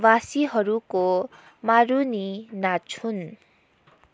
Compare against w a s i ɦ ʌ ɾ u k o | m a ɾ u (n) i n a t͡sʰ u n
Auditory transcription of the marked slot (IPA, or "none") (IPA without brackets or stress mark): n